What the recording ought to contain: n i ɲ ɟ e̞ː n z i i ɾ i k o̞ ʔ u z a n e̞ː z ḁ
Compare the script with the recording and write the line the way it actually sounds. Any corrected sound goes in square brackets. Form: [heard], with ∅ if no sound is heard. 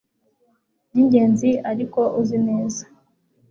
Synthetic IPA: n i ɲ ɟ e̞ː n z i [a] ɾ i k o̞ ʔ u z [i] n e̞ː z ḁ